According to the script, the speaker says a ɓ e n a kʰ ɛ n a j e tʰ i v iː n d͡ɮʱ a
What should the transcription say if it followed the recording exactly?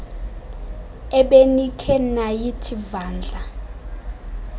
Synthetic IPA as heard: ɛ ɓ e n i kʰ ɛ n a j i tʰ i v aː n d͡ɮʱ a